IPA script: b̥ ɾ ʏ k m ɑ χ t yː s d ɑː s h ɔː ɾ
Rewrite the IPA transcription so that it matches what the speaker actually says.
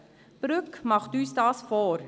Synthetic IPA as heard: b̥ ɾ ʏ k m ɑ χ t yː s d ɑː s f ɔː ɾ